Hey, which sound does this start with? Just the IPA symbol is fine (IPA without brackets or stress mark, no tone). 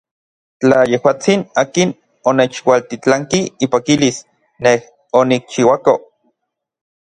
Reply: t͡ɬ